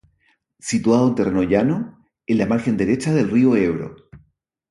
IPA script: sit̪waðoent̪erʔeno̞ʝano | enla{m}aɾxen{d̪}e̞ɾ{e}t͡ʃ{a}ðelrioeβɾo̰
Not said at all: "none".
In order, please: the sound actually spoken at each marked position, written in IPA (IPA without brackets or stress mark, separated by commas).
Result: m, d̪, e, a